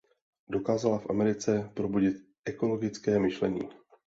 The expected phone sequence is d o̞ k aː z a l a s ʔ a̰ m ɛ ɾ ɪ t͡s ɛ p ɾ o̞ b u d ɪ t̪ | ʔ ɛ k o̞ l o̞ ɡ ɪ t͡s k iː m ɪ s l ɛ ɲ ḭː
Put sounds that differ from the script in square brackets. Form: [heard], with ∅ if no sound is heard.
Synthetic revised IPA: d o̞ k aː z a l a [f] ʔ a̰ m ɛ ɾ ɪ t͡s ɛ p ɾ o̞ b u [ɟ] ɪ t̪ | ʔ ɛ k o̞ l o̞ ɡ ɪ t͡s k [ɛː] m ɪ [ʃ] l ɛ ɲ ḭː